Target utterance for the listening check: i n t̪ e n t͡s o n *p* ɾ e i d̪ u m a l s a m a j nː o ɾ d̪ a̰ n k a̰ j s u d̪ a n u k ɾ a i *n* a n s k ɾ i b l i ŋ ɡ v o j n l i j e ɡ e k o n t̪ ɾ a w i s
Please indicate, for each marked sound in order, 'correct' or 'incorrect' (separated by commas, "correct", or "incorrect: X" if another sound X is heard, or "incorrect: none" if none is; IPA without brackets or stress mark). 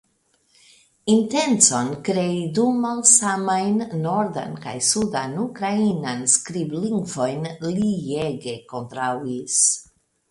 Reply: incorrect: k, correct